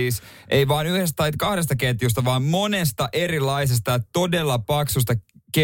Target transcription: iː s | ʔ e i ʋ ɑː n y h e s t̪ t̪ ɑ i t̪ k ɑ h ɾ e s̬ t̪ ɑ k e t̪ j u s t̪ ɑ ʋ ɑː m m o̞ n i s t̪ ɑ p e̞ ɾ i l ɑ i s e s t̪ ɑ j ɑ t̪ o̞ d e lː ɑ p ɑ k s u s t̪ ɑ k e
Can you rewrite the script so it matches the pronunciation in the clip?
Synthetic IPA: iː s | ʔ e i ʋ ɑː n y h e s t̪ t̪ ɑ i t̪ k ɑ h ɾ e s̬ t̪ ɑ k e t̪ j u s t̪ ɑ ʋ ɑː m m o̞ n e s t̪ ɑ ʔ e̞ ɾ i l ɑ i s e s t̪ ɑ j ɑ t̪ o̞ d e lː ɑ p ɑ k s u s t̪ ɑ k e